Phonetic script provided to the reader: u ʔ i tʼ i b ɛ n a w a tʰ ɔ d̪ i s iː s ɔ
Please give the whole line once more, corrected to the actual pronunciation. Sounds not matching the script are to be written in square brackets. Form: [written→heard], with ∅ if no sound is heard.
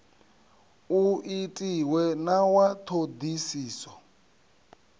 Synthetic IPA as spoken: u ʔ i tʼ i [b→w] ɛ n a w a tʰ [ɔ→o] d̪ i s iː s ɔ